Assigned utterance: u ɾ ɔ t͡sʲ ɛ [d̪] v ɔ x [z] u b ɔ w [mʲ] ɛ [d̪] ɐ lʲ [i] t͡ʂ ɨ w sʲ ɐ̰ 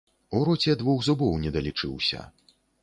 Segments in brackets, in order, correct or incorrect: correct, correct, incorrect, correct, correct

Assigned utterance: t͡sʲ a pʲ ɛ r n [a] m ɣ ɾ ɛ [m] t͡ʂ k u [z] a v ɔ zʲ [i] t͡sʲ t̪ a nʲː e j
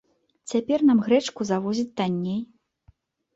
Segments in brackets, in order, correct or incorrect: correct, incorrect, correct, correct

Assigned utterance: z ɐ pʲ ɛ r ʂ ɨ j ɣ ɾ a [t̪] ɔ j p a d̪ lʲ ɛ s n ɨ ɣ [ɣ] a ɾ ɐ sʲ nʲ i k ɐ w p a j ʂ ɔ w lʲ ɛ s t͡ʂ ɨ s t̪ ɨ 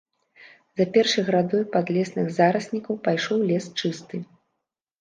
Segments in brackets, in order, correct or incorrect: incorrect, incorrect

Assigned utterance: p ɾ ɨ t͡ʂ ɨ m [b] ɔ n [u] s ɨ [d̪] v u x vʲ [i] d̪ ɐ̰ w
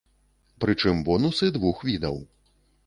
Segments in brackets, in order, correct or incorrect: correct, correct, correct, correct

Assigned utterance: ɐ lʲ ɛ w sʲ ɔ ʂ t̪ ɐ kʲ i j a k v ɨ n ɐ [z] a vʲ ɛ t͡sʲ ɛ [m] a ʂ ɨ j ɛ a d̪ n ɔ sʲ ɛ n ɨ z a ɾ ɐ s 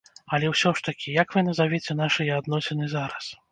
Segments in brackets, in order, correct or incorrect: correct, incorrect

